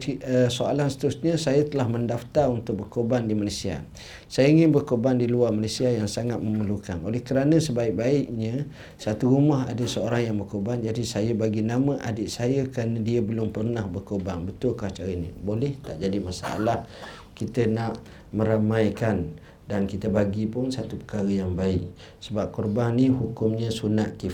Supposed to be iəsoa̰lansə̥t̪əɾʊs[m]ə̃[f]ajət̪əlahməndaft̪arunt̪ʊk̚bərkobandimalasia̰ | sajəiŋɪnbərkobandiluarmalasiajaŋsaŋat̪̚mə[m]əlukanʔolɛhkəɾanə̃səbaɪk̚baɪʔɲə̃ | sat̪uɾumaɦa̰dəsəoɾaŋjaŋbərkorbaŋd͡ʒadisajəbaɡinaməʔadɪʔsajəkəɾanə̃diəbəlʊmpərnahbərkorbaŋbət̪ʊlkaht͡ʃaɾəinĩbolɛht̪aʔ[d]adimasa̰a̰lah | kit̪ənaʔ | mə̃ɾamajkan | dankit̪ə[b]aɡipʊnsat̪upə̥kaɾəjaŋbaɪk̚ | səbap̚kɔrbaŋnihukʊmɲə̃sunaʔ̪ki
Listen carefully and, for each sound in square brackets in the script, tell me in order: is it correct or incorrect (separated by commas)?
incorrect, incorrect, correct, incorrect, correct